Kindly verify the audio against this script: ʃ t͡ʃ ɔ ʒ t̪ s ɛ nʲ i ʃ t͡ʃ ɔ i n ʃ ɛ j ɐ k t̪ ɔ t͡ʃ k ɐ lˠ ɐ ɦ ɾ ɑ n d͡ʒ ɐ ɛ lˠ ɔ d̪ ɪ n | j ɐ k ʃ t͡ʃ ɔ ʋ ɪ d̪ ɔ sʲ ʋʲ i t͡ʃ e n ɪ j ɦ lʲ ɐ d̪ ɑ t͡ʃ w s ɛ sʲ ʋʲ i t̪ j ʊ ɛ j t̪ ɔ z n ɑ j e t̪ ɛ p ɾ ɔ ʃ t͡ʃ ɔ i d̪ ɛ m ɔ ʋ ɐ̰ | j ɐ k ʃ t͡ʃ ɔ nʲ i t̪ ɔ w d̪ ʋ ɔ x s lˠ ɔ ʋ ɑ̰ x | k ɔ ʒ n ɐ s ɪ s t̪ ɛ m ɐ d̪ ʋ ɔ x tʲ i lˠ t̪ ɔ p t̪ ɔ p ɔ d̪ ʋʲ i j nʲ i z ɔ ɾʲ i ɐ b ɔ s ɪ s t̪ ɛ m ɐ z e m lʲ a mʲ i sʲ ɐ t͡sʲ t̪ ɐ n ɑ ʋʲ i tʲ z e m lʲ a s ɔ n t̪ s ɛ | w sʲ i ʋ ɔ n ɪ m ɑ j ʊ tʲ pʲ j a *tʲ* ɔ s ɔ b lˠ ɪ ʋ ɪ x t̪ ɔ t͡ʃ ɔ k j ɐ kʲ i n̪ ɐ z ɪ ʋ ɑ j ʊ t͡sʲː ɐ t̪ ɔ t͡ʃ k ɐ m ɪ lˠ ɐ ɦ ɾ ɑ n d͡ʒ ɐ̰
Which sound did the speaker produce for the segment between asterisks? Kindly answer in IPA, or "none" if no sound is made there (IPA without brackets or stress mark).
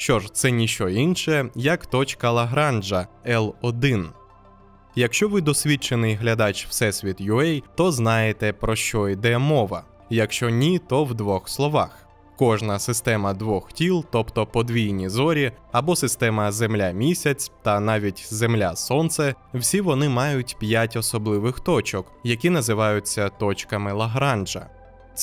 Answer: tʲ